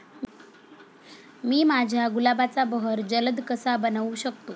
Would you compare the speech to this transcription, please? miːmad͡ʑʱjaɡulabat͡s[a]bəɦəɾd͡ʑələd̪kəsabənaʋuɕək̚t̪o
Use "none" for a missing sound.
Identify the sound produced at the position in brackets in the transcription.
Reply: a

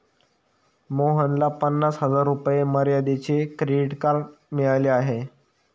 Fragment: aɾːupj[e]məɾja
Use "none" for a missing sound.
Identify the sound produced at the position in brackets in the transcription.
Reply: e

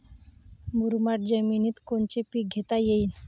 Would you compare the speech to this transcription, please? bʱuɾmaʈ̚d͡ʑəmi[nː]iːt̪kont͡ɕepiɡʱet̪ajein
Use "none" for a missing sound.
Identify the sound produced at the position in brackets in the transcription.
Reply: n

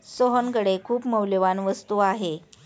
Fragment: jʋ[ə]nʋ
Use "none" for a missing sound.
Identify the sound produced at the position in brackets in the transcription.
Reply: a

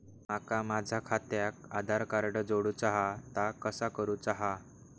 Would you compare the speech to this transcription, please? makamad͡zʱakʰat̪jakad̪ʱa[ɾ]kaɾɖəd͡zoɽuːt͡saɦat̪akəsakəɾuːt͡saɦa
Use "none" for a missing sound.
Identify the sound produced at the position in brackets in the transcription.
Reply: ɾ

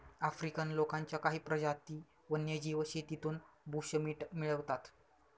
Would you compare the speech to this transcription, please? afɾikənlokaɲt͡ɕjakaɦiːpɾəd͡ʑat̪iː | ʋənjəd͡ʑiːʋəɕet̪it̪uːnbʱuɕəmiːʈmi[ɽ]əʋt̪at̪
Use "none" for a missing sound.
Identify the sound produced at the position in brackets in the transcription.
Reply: ɭ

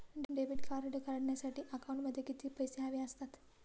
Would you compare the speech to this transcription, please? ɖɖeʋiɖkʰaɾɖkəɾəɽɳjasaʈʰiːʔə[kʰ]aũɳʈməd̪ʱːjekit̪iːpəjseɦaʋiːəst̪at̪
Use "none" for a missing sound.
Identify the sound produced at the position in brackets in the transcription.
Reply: k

